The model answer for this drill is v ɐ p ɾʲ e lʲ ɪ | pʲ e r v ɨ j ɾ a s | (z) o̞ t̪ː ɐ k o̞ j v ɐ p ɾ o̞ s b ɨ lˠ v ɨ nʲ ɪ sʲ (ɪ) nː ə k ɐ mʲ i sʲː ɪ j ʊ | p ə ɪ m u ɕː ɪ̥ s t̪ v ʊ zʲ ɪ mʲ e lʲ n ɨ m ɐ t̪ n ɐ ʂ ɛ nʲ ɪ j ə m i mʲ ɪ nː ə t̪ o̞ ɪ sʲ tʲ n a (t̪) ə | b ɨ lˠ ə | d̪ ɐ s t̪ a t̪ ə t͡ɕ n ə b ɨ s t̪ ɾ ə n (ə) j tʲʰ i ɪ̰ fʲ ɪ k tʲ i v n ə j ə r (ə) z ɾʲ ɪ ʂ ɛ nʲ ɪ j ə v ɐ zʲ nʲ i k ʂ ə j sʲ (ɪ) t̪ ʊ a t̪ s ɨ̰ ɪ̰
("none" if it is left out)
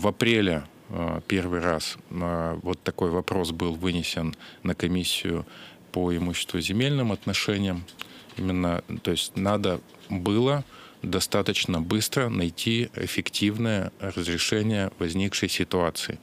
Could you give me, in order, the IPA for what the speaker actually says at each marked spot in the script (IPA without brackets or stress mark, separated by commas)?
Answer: v, ɪ, d̪, ɐ, ə, ɪ